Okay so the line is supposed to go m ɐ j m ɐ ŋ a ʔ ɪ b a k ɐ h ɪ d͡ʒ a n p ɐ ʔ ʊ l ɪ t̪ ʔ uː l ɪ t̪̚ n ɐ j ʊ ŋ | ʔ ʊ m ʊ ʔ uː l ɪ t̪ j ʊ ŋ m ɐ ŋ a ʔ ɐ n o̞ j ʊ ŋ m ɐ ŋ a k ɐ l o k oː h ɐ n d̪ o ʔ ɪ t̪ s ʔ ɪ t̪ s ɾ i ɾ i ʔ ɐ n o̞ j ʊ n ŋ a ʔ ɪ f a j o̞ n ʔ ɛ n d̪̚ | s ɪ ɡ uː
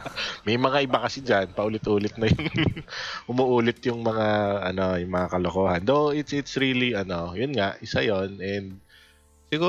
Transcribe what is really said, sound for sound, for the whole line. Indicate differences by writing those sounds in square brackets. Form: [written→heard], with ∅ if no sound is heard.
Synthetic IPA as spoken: m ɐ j m ɐ ŋ a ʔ ɪ b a k ɐ [h→s] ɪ d͡ʒ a n p ɐ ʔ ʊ l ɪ t̪ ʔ uː l ɪ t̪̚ n ɐ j ʊ ŋ | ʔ ʊ m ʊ ʔ uː l ɪ t̪ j ʊ ŋ m ɐ ŋ a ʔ ɐ n o̞ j ʊ ŋ m ɐ ŋ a k ɐ l o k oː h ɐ n d̪ o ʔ ɪ t̪ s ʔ ɪ t̪ s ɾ i [ɾ→l] i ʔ ɐ n o̞ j ʊ n ŋ a ʔ ɪ [f→s] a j o̞ n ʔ ɛ n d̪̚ | s ɪ ɡ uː